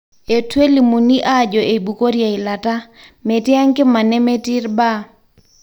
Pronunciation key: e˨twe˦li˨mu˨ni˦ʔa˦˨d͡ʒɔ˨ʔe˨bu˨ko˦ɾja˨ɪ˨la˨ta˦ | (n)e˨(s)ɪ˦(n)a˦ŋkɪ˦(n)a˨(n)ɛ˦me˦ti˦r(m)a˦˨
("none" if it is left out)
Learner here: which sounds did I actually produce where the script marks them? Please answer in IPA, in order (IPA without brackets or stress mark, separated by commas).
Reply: m, t, none, m, n, b